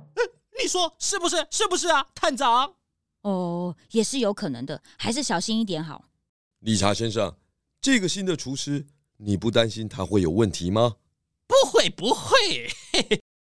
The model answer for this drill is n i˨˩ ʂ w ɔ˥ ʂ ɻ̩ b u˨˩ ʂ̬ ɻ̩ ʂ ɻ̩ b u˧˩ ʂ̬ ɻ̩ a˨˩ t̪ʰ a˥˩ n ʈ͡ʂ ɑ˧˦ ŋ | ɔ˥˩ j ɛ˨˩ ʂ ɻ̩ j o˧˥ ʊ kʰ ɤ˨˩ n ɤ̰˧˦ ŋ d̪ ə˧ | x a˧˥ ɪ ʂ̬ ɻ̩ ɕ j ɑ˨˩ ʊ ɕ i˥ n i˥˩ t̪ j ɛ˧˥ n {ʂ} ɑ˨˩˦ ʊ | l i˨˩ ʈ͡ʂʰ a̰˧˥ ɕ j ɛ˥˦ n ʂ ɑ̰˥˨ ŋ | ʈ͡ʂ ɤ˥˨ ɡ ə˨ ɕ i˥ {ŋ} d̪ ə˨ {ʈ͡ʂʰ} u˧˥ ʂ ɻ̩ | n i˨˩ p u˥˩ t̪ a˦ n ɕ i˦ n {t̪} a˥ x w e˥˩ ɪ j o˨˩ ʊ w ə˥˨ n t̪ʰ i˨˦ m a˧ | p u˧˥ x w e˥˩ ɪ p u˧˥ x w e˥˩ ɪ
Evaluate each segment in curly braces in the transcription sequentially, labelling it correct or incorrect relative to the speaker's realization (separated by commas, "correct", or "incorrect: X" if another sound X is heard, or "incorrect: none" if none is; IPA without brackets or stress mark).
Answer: incorrect: x, incorrect: n, correct, incorrect: t̪ʰ